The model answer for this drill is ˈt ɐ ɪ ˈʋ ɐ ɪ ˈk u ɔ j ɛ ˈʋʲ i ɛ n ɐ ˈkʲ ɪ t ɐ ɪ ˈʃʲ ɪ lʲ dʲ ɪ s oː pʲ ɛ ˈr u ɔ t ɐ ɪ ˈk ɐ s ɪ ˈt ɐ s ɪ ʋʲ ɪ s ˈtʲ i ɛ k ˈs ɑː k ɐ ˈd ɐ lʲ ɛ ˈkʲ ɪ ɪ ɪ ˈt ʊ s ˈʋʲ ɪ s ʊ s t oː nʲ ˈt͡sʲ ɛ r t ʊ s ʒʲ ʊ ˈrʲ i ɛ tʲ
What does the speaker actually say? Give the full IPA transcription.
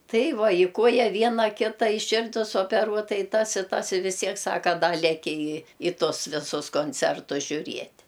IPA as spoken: ˈt ɐ ɪ ˈʋ ɐ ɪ ˈk u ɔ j ɛ ˈʋʲ i ɛ n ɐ ˈkʲ ɪ t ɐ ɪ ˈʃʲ ɪ rʲ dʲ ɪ s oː pʲ ɛ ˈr u ɔ t ɐ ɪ ˈt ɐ s ɪ ˈt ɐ s ɪ ʋʲ ɪ s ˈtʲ i ɛ k ˈs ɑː k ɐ ˈd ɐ lʲ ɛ ˈkʲ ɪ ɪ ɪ ˈt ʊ s ˈʋʲ ɪ s ʊ s k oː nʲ ˈt͡sʲ ɛ r t ʊ s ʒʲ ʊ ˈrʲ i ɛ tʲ